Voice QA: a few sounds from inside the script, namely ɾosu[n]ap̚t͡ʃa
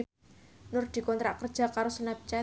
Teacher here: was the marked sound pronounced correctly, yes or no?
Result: yes